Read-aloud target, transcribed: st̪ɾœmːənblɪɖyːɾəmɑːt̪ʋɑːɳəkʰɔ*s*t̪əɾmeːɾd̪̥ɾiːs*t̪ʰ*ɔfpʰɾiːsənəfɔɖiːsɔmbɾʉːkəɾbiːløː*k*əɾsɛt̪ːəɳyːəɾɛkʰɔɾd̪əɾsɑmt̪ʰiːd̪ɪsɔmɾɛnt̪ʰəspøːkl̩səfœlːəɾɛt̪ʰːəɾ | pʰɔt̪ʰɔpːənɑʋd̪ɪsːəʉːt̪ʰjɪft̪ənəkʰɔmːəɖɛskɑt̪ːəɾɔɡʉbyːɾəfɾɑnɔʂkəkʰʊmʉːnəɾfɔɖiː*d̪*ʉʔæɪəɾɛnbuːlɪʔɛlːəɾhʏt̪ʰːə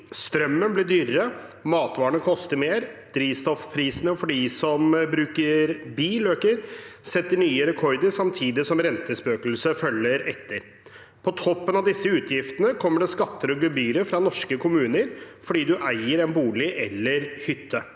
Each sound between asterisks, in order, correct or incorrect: correct, incorrect: t̪, correct, correct

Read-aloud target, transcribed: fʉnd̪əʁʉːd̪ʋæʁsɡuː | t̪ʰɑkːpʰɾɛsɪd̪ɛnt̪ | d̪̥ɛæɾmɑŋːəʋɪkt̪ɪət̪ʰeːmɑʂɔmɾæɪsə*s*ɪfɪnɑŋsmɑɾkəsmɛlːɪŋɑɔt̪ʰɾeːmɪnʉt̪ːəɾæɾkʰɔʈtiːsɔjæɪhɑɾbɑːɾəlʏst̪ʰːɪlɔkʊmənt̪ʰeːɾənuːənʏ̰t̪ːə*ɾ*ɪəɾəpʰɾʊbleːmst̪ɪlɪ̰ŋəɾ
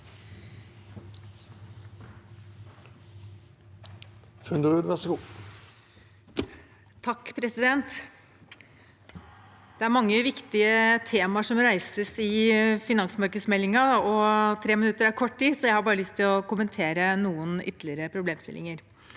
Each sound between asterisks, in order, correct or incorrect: correct, incorrect: l

